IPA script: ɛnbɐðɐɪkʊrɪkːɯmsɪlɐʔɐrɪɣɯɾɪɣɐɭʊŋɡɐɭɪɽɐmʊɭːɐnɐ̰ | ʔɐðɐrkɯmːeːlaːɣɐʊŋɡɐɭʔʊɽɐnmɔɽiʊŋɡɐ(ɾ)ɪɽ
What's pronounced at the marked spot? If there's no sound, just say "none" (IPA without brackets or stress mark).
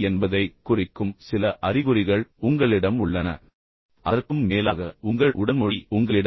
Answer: ɭ